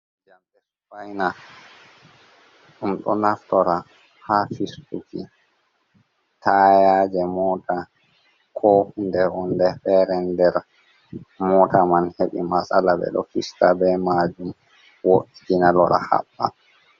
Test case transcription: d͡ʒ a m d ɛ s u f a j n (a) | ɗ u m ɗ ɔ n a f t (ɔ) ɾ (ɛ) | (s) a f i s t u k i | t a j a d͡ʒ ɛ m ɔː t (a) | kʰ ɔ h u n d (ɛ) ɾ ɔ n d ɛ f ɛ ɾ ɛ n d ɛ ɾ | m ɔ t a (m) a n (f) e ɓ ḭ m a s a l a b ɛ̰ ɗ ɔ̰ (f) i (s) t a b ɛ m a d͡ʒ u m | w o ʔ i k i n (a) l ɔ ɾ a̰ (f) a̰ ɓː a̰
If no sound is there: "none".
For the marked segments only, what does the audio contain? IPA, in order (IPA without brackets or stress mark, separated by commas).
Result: a, ɔ, a, h, a, ɛ, m, h, f, s, a, h